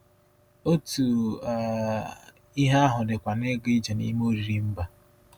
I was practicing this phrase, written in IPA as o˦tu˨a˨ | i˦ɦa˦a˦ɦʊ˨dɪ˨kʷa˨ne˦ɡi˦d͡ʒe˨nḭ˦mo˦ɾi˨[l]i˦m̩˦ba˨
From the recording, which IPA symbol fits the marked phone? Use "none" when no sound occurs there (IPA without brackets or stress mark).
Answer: ɾ